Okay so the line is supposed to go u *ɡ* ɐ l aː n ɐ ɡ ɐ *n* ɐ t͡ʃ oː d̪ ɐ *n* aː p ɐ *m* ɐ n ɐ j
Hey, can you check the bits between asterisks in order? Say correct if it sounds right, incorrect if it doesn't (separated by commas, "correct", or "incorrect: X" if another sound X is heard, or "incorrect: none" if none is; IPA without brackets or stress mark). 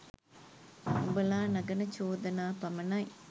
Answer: incorrect: b, correct, correct, correct